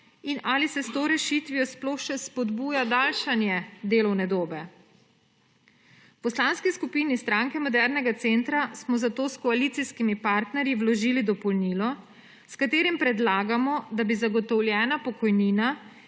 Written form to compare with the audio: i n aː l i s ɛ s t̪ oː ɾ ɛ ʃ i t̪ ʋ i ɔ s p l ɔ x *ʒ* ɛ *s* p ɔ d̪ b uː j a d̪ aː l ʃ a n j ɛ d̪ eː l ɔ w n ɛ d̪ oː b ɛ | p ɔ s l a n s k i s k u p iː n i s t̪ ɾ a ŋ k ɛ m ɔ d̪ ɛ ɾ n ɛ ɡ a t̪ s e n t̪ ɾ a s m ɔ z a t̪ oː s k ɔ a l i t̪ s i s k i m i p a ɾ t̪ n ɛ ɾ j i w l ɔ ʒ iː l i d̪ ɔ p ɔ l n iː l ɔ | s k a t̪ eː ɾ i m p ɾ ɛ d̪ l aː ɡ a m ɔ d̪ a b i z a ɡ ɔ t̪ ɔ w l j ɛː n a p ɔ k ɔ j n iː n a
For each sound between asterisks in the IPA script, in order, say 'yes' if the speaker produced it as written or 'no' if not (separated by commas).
no, yes